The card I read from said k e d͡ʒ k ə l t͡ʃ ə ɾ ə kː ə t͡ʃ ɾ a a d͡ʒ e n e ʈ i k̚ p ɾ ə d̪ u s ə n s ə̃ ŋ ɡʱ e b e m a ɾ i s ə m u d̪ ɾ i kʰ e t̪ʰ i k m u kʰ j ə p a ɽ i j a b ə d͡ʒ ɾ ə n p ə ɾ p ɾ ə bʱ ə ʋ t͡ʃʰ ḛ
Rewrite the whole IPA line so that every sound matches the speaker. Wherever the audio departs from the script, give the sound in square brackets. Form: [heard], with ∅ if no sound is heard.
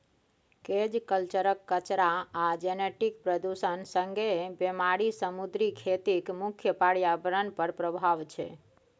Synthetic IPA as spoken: k e d͡ʒ k ə l t͡ʃ ə ɾ ə kː ə t͡ʃ ɾ a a d͡ʒ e n e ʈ i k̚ p ɾ ə d̪ u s ə n s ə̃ ŋ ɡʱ e b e m a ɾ i s ə m u d̪ ɾ i kʰ e [t̪] i k m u kʰ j ə p a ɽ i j a b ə [∅] ɾ ə n p ə ɾ p ɾ ə bʱ [a] ʋ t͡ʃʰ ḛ